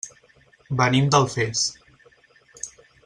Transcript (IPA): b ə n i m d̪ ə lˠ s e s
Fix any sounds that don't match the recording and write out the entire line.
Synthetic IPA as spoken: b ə n i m d̪ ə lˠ f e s